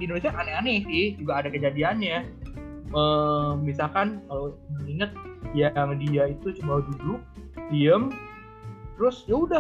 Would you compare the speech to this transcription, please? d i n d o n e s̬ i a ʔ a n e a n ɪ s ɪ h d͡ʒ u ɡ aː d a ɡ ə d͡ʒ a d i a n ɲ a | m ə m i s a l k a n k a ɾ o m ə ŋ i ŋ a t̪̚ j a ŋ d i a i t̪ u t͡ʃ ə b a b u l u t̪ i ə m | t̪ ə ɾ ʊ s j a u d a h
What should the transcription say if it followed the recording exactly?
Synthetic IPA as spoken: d i n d o n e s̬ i a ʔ a n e a n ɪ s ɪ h d͡ʒ u ɡ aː d a k ə d͡ʒ a d i a n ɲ a | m ə m i s a l k a n k a l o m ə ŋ i ŋ ə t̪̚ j a ŋ d i a i t̪ u t͡ʃ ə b a d u l u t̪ i ə m | t̪ ə ɾ ʊ s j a u d a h